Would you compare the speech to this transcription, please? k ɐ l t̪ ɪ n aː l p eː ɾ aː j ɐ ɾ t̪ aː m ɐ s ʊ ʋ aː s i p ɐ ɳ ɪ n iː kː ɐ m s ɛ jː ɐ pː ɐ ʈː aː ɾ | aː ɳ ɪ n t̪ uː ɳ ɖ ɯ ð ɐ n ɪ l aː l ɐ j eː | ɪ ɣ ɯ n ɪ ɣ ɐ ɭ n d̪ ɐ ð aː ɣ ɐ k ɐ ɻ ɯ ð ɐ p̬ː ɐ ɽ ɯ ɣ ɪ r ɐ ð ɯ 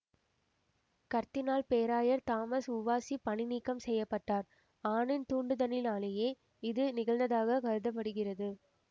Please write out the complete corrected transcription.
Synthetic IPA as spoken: k ɐ ɾ t̪ ɪ n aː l p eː ɾ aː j ɐ ɾ t̪ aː m ɐ s ʊ ʋ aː s i p ɐ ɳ ɪ n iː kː ɐ m s ɛ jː ɐ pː ɐ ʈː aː ɾ | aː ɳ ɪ n t̪ uː ɳ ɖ ɯ ð ɐ n ɪ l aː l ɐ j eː | ɪ ð ɯ n ɪ ɣ ɐ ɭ n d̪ ɐ ð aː ɣ ɐ k ɐ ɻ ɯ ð ɐ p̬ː ɐ ɽ ɯ ɣ ɪ r ɐ ð ɯ